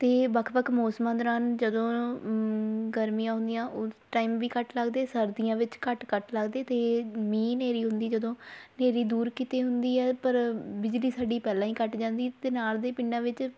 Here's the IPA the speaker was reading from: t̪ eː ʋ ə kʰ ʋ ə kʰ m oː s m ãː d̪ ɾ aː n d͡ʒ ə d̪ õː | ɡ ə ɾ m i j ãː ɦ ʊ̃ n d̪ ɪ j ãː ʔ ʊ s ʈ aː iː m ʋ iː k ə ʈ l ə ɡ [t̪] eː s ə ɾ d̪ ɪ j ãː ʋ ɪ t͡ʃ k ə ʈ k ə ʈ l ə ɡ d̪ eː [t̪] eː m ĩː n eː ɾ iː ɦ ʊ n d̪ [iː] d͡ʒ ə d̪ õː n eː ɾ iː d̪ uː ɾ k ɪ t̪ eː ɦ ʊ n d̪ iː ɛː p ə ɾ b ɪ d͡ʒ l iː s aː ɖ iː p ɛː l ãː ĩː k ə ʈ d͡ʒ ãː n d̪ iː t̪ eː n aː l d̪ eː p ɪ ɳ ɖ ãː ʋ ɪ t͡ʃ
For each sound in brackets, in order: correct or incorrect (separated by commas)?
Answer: incorrect, correct, correct